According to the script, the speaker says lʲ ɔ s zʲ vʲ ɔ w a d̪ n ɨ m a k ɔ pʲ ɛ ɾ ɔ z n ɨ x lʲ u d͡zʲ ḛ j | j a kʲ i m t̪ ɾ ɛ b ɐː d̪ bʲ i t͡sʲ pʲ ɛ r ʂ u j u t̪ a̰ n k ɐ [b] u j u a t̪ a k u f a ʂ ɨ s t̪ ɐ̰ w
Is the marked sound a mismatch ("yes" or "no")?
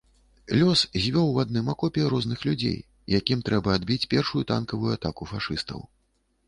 yes